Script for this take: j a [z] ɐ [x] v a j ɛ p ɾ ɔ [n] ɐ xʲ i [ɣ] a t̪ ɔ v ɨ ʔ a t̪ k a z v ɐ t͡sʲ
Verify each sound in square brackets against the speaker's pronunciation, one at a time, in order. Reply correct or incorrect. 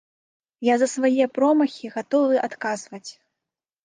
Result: correct, incorrect, incorrect, correct

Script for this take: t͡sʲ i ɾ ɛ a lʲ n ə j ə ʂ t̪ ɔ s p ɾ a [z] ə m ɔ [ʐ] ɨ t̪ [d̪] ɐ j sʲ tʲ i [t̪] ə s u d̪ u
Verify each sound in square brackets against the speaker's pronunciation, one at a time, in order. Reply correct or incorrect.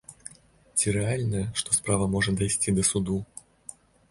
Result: incorrect, correct, correct, incorrect

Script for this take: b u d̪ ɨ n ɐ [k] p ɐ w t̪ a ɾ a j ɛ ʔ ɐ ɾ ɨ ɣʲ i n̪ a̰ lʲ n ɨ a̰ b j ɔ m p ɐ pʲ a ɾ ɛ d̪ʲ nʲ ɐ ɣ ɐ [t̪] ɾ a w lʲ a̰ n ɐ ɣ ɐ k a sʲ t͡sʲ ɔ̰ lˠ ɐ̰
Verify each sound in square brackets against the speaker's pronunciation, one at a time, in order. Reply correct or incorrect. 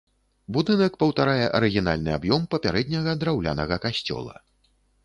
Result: correct, incorrect

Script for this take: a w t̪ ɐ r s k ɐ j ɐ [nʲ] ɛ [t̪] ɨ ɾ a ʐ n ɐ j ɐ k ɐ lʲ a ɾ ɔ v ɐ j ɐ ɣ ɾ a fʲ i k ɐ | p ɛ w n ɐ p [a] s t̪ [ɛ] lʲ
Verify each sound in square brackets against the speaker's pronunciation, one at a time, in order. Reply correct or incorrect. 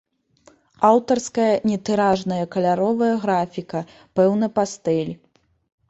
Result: correct, correct, correct, correct

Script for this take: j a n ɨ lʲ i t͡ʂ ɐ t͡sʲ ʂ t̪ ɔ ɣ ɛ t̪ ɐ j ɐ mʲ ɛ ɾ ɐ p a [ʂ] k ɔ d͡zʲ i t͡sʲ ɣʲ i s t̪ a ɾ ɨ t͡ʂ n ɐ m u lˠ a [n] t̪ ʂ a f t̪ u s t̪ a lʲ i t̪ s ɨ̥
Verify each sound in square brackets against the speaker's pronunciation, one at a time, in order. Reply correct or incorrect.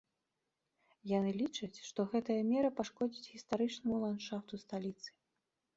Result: correct, correct

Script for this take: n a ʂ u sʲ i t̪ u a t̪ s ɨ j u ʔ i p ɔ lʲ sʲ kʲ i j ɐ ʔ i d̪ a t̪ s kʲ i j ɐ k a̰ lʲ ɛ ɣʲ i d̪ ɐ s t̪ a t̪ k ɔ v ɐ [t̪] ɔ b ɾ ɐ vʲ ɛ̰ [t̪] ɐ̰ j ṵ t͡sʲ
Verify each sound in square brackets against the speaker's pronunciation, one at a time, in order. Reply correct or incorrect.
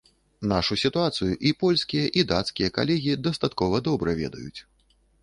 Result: incorrect, incorrect

